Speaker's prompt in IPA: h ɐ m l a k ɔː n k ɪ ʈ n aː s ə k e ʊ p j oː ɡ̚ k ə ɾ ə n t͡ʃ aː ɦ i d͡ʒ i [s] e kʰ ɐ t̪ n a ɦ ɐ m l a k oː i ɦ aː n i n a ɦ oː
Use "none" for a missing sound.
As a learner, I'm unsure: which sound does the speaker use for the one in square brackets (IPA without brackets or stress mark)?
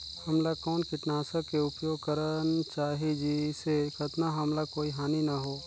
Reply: s